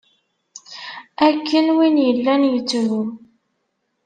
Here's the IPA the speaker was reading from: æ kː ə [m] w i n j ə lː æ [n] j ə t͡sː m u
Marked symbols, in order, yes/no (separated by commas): no, yes